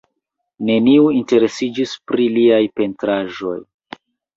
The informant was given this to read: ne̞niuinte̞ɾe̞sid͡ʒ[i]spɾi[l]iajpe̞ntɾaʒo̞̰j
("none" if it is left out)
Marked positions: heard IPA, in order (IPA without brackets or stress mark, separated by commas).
i, l